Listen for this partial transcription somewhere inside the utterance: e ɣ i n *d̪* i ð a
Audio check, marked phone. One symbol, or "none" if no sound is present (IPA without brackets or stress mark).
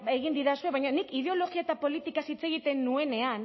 d̪